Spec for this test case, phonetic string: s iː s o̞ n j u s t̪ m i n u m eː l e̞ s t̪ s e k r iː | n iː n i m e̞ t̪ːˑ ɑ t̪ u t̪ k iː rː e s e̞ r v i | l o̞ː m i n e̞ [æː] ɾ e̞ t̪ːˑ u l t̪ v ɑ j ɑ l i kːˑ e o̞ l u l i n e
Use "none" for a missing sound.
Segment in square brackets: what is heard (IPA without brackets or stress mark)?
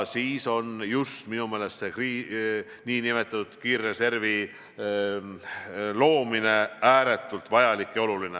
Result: æː